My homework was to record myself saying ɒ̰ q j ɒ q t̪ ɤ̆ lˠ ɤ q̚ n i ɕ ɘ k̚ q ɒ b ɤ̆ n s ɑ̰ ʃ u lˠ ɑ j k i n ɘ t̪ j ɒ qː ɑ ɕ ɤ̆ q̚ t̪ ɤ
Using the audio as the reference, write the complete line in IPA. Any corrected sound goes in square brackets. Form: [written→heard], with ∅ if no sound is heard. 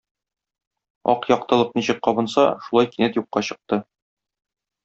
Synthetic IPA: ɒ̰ q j ɒ q t̪ ɤ̆ lˠ ɤ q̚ n i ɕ ɘ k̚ q ɒ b ɤ̆ n s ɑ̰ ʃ u lˠ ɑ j k i n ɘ t̪ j [ɒ→u] qː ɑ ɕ ɤ̆ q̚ t̪ ɤ